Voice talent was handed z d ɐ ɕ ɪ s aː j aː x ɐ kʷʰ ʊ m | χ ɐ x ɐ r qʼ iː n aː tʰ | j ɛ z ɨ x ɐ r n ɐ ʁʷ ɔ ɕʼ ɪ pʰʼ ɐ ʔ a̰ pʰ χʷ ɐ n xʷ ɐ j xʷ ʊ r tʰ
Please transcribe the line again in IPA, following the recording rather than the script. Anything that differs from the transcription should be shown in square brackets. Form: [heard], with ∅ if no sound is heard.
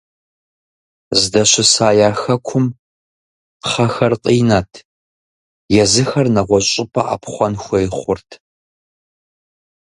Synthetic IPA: z d ɐ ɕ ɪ s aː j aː x ɐ kʷʰ ʊ m | χ ɐ x ɐ r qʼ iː n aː tʰ | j ɛ z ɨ x ɐ r n ɐ ʁʷ ɔ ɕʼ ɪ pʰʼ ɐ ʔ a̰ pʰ χʷ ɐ n xʷ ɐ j [χʷ] ʊ r tʰ